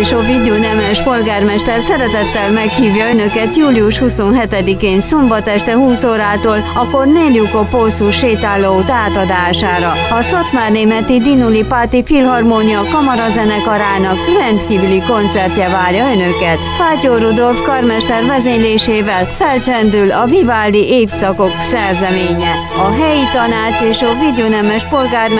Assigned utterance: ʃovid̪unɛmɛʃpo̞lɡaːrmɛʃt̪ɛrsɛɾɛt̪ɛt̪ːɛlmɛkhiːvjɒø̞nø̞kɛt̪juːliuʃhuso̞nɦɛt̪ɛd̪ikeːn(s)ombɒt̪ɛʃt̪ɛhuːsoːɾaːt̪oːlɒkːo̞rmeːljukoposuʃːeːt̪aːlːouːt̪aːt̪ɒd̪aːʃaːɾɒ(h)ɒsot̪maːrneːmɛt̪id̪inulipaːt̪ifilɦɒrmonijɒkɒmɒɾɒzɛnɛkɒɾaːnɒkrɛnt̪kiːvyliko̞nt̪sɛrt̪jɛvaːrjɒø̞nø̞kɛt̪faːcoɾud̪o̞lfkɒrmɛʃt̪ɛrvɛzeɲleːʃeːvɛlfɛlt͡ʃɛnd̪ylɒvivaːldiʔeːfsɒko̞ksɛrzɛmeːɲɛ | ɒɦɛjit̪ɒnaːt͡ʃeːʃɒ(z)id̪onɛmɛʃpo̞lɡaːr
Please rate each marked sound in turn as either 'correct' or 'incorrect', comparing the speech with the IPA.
correct, correct, incorrect: v

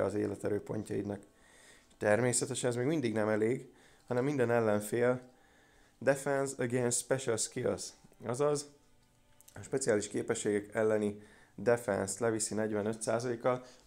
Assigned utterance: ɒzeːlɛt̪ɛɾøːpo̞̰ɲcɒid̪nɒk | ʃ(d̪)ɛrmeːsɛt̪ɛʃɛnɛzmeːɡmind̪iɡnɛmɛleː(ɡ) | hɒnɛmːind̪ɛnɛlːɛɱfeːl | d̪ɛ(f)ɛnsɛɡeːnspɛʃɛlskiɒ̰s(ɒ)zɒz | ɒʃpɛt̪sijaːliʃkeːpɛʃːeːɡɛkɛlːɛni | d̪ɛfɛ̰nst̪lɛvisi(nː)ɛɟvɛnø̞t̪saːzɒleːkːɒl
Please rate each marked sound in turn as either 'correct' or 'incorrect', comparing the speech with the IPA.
incorrect: t̪, correct, correct, correct, incorrect: n

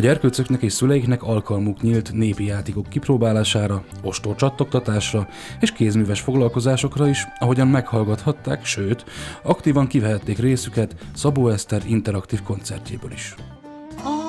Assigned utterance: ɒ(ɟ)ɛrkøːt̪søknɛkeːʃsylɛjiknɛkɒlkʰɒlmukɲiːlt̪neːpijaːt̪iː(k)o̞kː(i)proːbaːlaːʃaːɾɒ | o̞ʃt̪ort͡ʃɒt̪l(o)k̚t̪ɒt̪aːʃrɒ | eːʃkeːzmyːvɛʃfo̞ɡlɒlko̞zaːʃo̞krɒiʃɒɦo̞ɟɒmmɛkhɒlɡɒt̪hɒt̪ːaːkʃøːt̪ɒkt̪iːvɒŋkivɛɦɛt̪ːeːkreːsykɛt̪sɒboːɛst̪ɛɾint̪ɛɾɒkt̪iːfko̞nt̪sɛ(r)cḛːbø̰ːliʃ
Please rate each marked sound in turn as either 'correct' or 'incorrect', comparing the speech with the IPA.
correct, correct, correct, correct, correct

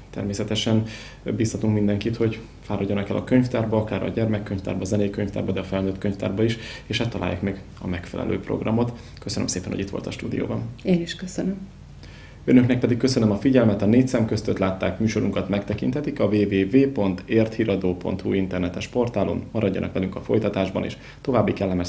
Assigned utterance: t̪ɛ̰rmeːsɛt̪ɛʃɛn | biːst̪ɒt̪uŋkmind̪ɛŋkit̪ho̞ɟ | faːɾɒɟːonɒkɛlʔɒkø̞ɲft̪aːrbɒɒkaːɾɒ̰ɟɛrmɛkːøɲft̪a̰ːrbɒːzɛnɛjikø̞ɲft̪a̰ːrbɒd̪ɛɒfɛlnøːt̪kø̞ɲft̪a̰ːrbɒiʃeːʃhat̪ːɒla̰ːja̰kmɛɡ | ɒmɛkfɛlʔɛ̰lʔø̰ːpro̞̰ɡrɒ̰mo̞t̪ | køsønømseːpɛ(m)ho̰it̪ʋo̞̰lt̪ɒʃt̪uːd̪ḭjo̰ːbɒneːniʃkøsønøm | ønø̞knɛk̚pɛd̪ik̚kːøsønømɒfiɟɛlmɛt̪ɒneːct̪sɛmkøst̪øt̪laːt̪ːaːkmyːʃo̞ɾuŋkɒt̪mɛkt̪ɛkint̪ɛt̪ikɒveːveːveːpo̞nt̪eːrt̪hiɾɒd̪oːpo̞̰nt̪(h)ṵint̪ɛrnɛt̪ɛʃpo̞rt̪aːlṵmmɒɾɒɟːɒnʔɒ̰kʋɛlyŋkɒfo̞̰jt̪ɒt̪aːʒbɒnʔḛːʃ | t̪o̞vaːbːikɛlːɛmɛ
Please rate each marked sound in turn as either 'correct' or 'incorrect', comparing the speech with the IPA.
incorrect: n, correct

